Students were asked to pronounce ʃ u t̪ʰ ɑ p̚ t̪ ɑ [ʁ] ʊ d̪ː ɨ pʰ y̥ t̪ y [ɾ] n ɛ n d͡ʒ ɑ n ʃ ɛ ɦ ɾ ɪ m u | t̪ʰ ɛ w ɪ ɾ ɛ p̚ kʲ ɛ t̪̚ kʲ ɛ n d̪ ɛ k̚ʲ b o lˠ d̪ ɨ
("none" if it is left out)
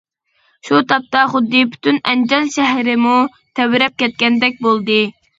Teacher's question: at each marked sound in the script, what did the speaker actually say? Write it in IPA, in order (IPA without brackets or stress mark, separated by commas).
χ, none